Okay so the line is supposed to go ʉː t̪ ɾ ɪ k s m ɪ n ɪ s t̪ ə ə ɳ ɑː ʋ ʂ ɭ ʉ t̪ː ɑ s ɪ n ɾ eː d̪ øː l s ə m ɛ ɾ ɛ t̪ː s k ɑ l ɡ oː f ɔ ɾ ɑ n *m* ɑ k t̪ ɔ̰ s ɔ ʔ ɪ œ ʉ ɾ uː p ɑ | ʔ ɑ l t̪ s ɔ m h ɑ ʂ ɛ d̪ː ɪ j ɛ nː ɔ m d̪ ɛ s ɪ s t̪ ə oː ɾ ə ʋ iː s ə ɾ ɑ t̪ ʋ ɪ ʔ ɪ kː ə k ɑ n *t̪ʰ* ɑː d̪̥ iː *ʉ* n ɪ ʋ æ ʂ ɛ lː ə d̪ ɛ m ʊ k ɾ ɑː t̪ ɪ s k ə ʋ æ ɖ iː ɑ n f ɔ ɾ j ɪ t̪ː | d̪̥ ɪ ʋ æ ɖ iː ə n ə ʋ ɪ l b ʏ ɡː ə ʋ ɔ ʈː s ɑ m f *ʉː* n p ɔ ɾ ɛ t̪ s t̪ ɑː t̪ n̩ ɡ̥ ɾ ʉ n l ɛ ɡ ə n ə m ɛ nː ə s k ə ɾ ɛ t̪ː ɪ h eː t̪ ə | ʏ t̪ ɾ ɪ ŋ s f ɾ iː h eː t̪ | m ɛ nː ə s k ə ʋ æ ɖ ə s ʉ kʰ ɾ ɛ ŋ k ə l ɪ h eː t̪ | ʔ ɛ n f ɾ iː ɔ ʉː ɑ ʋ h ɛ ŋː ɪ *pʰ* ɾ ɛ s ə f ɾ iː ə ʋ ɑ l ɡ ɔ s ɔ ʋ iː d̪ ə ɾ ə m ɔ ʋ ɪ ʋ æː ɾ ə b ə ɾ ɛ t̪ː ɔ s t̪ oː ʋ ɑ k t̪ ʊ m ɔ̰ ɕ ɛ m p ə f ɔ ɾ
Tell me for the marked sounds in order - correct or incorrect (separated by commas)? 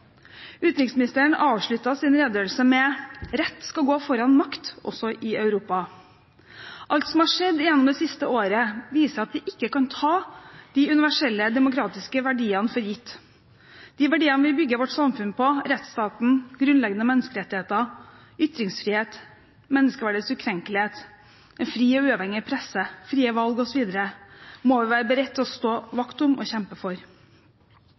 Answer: correct, correct, correct, incorrect, correct